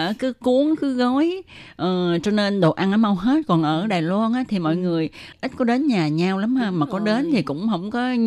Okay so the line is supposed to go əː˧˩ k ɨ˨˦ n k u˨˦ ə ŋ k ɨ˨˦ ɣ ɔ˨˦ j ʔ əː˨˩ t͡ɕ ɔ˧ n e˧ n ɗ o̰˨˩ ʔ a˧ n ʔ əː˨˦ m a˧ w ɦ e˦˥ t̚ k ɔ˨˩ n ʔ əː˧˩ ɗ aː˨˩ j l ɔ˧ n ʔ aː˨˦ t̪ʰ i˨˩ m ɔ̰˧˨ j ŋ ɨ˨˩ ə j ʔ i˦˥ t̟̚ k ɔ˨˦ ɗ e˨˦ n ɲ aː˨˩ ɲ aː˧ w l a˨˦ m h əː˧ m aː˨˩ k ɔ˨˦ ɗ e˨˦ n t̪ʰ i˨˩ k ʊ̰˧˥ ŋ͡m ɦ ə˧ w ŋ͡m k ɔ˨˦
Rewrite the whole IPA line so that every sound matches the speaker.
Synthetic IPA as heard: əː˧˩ k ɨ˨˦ k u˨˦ ə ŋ k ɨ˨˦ ɣ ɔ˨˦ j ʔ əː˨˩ t͡ɕ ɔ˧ n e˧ n ɗ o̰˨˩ ʔ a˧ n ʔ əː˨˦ m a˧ w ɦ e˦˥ t̚ k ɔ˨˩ n ʔ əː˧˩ ɗ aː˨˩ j l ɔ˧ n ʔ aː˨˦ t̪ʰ i˨˩ m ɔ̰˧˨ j ŋ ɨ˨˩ ə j ʔ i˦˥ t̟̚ k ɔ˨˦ ɗ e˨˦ n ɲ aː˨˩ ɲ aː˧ w l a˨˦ m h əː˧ m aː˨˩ k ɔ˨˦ ɗ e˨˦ n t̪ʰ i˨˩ k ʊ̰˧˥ ŋ͡m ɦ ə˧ w ŋ͡m k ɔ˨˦